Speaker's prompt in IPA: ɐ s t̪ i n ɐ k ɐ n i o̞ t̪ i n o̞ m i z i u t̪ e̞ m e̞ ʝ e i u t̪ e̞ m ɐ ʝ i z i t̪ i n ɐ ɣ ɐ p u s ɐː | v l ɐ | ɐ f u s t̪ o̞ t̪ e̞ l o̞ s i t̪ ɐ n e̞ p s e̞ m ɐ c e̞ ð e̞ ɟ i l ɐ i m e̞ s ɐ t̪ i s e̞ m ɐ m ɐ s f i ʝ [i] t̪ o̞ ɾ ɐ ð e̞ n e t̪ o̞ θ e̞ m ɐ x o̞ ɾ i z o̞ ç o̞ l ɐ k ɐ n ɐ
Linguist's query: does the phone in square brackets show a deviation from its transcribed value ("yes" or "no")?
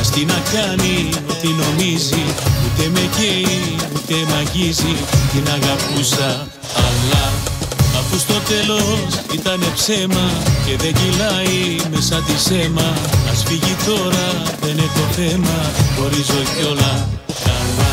no